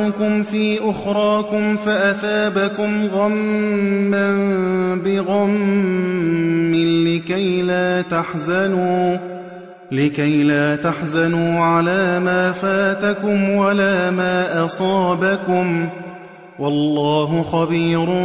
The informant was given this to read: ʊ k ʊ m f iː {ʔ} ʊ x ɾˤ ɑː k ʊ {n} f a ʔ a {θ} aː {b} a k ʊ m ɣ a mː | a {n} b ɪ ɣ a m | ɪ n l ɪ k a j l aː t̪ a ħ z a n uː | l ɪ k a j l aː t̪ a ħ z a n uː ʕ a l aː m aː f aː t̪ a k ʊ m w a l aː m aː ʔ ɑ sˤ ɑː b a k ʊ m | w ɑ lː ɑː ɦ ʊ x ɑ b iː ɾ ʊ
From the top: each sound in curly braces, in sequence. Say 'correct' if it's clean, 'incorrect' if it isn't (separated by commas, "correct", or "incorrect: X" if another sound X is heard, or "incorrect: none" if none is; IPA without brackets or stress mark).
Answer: correct, incorrect: m, correct, correct, correct